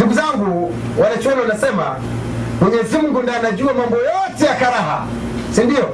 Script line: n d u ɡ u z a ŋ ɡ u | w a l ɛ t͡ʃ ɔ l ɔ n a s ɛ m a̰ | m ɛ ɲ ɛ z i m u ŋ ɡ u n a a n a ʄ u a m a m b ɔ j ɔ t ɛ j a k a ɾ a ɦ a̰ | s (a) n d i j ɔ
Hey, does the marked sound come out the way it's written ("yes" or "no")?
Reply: no